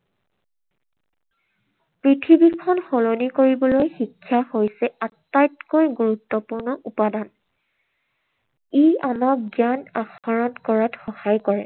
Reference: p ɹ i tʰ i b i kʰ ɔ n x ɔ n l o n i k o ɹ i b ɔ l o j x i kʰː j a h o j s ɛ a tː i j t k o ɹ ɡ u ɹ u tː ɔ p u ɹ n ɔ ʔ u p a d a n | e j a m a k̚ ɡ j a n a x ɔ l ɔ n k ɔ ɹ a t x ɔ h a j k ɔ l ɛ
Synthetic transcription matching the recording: p ɹ i tʰ i b i kʰ ɔ n x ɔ l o n i k o ɹ i b ɔ l o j x i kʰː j a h o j s ɛ a tː a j t k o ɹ ɡ u ɹ u tː ɔ p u ɹ n ɔ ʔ u p a d a n | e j a m a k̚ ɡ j a n a x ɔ ɹ ɔ n k ɔ ɹ a t x ɔ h a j k ɔ ɹ ɛ